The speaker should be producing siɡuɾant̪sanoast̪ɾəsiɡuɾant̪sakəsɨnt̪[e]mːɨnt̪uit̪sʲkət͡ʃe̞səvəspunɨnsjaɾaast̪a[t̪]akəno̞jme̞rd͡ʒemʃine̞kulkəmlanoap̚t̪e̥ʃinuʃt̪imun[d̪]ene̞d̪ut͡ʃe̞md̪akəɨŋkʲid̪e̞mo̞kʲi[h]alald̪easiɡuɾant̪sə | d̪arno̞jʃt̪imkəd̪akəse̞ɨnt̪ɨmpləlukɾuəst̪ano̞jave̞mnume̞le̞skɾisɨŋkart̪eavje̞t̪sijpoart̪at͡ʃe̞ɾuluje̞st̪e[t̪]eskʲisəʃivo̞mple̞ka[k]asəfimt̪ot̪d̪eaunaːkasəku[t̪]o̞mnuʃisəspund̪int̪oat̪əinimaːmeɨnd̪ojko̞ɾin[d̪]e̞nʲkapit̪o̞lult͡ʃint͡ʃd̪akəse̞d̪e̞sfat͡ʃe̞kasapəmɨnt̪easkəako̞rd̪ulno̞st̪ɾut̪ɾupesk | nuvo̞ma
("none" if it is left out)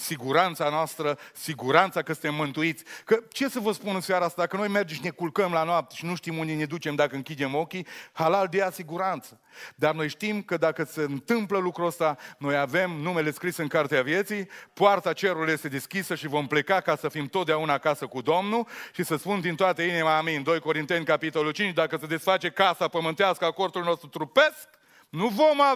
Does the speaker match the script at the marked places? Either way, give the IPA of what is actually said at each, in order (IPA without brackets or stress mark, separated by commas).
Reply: e, d̪, d̪, h, d̪, k, d̪, t̪